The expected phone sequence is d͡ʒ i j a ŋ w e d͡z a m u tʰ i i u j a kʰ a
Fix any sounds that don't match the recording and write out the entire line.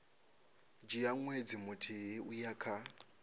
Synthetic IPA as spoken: d͡ʒ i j a ŋ w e d͡z i m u tʰ i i u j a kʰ a